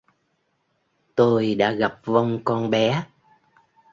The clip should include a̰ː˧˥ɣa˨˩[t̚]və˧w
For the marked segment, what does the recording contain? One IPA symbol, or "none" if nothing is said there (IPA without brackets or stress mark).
p̚